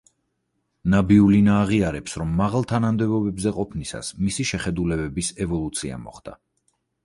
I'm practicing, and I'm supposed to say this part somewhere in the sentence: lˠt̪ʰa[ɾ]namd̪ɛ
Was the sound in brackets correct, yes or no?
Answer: no